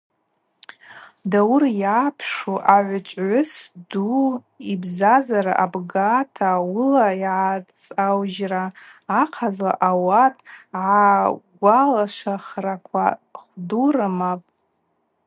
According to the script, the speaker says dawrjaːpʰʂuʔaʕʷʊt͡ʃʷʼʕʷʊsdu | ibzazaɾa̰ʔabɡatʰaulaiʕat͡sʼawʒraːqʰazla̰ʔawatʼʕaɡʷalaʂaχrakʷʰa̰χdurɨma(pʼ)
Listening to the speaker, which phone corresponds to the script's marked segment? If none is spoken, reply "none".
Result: pʼ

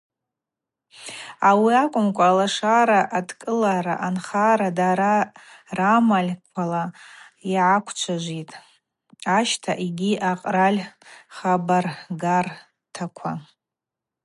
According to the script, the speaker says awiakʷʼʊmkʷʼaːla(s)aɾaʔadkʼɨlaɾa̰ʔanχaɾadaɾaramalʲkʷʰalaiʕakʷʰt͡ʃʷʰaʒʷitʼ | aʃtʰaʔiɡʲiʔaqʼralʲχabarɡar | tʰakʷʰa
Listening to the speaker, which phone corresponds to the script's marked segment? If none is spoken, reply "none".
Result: ʂ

